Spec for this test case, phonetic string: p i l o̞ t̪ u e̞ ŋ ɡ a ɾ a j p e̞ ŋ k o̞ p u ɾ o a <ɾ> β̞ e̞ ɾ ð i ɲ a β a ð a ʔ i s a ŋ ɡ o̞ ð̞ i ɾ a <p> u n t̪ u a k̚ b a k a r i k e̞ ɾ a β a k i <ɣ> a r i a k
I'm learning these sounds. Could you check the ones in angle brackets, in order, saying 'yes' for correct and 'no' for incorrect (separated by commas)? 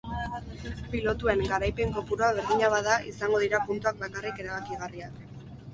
no, yes, yes